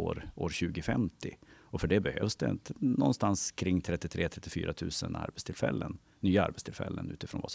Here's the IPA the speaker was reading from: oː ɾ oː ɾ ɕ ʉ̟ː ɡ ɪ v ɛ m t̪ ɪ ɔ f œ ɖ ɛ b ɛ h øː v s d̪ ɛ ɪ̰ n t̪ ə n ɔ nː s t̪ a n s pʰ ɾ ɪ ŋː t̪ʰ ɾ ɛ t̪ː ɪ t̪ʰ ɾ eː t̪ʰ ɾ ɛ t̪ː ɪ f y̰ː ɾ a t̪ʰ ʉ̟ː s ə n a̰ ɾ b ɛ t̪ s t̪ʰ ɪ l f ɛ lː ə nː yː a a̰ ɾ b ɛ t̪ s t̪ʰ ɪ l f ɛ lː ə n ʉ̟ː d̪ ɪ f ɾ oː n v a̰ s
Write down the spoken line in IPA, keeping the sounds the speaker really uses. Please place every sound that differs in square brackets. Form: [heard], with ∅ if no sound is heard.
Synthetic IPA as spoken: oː ɾ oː ɾ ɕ ʉ̟ː ɡ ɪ [f] ɛ m t̪ ɪ ɔ f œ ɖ ɛ b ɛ h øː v s d̪ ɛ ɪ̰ n t̪ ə n ɔ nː s t̪ a n s [kʰ] ɾ ɪ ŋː t̪ʰ ɾ ɛ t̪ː ɪ t̪ʰ ɾ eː t̪ʰ ɾ ɛ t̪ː ɪ f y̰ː ɾ a t̪ʰ ʉ̟ː s ə n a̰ ɾ b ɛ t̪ s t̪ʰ ɪ l f ɛ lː ə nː yː a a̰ ɾ b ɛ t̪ s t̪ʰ ɪ l f ɛ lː ə n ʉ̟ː [t̪] ɪ f ɾ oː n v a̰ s